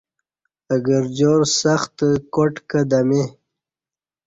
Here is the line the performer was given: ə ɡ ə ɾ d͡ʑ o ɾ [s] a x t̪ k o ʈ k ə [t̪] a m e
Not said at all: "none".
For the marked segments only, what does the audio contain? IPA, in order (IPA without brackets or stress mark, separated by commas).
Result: s, d̪